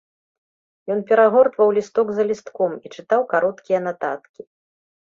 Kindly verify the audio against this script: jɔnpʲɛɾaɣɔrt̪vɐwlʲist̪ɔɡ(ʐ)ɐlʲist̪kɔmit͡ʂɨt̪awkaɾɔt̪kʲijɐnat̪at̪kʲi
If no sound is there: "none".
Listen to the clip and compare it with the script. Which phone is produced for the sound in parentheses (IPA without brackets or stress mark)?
z